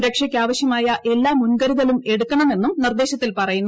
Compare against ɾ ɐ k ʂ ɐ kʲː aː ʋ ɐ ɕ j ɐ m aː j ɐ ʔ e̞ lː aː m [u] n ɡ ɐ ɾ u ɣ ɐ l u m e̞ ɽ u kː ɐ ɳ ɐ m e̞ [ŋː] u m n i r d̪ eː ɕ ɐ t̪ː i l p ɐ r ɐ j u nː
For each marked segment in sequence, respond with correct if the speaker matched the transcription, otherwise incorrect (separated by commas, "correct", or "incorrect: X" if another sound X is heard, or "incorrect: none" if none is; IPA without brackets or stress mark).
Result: correct, incorrect: nː